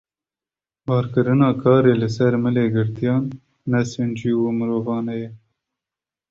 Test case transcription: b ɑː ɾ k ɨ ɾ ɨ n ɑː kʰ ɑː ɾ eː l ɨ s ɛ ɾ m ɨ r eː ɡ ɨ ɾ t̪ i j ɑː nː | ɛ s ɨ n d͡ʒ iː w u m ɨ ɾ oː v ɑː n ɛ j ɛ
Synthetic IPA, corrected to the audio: b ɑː ɾ k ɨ ɾ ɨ n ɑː kʰ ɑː ɾ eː l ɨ s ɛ ɾ m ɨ l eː ɡ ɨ ɾ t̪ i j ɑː nː | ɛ s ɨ n d͡ʒ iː w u m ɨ ɾ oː v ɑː n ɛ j ɛ